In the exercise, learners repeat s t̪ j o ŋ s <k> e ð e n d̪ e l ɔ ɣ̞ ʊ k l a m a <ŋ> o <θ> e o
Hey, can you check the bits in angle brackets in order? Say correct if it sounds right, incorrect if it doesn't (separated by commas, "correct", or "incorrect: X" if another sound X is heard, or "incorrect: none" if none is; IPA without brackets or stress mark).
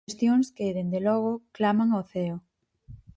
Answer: correct, correct, correct